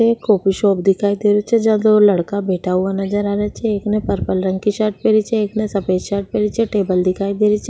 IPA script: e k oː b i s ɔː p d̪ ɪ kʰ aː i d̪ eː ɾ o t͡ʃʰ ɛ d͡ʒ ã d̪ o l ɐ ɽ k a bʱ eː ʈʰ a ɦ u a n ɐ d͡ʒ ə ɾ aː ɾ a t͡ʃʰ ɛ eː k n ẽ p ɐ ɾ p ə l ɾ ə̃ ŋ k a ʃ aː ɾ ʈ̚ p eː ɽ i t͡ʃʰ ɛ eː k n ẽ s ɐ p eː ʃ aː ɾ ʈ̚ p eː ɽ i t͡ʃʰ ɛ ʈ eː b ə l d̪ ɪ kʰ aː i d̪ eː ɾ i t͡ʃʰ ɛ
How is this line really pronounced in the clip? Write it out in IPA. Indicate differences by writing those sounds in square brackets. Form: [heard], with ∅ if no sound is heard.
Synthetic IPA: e k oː [p] i [ʃ] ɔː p d̪ ɪ kʰ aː i d̪ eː ɾ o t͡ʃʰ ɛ d͡ʒ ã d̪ o l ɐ ɽ k a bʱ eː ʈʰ a ɦ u a n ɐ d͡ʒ ə ɾ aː ɾ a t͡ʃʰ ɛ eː k n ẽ p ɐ ɾ p ə l ɾ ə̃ ŋ k [i] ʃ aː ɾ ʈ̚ p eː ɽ i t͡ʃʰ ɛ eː k n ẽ s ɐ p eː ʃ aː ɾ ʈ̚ p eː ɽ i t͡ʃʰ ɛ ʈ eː b ə l d̪ ɪ kʰ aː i d̪ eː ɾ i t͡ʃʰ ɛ